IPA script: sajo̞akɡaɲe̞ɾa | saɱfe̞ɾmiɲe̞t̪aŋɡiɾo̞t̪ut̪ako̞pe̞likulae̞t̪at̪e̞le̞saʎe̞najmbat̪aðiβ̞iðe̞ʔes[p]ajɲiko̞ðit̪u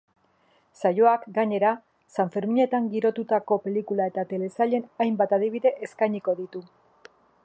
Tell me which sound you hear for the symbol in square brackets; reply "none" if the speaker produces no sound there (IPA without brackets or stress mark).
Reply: k